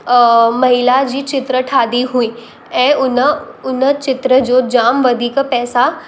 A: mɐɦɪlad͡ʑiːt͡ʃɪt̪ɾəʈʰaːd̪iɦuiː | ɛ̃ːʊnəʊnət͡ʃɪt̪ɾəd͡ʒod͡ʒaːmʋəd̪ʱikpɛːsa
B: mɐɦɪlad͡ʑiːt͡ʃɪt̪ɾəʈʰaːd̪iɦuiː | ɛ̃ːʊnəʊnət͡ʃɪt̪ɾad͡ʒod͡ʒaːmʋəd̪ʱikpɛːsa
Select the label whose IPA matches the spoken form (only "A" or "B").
A